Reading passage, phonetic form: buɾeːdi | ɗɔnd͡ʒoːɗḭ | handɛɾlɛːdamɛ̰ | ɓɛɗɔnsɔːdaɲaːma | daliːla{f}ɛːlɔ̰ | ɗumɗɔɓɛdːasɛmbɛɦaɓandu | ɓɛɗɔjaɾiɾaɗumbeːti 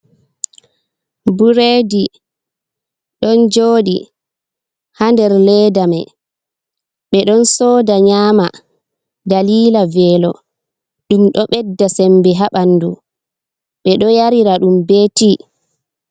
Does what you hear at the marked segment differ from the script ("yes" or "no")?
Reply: yes